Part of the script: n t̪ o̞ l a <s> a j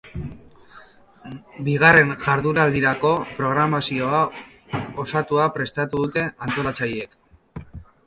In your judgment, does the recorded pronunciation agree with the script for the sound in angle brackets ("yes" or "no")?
no